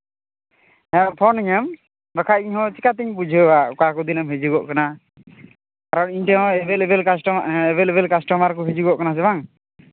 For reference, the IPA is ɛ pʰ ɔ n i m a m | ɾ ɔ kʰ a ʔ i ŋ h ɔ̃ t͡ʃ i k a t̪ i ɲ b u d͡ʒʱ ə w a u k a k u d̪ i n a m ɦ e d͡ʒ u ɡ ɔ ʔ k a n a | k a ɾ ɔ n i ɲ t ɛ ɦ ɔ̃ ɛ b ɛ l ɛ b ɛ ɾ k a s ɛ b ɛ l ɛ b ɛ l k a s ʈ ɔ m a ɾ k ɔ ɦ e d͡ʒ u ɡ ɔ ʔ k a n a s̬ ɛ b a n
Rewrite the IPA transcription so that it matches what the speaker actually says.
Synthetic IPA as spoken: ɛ pʰ ɔ n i ɲ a m | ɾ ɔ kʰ a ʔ i ɲ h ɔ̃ t͡ʃ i k a t̪ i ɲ b u d͡ʒʱ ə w a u k a k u d̪ i n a m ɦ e d͡ʒ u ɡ ɔ ʔ k a n a | k a ɾ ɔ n i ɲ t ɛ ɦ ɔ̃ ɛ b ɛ l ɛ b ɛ l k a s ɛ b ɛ l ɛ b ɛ l k a s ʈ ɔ m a ɾ k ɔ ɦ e d͡ʒ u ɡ ɔ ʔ k a n a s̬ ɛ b a ŋ